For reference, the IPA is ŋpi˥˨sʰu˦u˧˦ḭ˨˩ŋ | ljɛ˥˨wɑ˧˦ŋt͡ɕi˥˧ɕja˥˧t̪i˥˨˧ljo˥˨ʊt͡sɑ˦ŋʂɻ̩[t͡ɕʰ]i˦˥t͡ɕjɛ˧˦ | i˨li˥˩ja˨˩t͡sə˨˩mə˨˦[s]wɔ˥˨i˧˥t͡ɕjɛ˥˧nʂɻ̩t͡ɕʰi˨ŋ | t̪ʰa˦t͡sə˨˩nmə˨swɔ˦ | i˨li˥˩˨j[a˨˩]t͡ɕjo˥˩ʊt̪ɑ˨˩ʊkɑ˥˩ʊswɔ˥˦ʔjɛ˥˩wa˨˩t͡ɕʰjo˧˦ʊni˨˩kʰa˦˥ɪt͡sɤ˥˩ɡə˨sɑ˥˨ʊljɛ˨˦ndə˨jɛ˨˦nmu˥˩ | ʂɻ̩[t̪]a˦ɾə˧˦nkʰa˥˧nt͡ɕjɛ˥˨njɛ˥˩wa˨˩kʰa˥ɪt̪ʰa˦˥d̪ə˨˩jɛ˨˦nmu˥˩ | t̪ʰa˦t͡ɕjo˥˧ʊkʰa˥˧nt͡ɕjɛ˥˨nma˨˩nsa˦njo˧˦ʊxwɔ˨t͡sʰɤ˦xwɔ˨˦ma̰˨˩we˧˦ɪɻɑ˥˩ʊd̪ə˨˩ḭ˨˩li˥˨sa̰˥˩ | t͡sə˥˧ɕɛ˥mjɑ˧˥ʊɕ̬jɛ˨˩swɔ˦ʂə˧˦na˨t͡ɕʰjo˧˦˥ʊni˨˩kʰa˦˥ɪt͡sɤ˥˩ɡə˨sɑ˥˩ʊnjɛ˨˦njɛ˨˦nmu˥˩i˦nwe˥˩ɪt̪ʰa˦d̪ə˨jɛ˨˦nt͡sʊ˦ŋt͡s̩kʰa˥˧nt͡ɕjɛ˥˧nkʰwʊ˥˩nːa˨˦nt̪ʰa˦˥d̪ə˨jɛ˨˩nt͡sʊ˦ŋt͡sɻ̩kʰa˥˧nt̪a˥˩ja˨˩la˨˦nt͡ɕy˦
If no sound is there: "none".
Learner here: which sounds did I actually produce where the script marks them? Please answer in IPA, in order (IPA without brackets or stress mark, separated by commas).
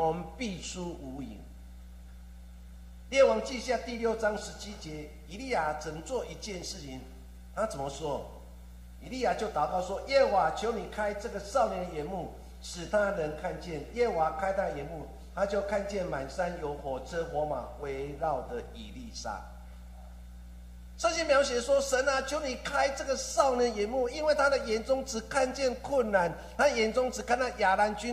t͡ɕʰ, t͡s, a˨˩, t̪ʰ